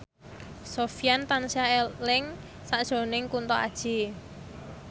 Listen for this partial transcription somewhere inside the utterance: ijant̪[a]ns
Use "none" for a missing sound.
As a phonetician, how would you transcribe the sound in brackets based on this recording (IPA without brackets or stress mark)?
a